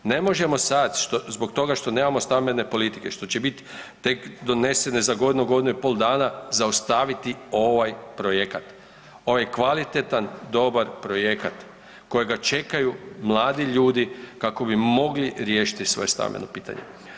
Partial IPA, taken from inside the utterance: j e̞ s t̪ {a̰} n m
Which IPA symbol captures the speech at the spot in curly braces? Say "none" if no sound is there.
a̰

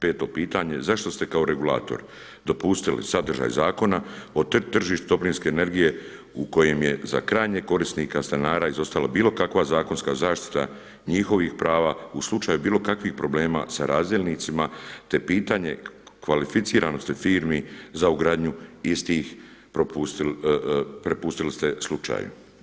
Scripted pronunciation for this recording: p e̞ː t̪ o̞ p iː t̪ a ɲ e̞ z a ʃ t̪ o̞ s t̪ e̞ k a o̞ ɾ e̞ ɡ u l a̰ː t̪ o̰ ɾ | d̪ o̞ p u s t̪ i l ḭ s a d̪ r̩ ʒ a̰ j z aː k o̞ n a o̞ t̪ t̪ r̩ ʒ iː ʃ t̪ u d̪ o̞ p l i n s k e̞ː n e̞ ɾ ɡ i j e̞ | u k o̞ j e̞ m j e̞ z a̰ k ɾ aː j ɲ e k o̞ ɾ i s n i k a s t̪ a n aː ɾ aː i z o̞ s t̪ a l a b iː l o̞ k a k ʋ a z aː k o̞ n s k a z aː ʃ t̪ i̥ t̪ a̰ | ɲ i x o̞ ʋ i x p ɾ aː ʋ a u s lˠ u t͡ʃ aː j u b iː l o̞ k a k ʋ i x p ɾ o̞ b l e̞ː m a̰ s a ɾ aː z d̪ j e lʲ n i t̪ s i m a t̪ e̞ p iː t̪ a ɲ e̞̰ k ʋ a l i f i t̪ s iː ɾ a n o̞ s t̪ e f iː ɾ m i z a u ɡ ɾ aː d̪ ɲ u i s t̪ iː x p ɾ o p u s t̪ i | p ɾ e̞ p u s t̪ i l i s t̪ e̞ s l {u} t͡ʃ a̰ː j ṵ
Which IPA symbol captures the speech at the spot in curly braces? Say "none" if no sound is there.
u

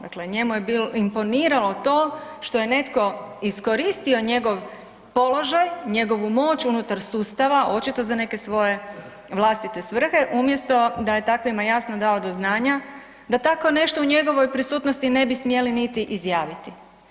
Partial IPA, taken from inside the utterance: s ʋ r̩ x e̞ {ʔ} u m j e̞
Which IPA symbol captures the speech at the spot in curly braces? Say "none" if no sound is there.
ʔ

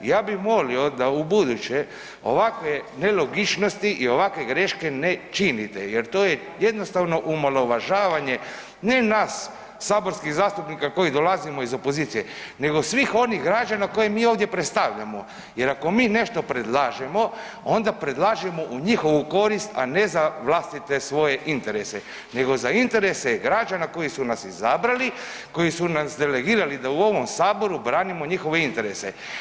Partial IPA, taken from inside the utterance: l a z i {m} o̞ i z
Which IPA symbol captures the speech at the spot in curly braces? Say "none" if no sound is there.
m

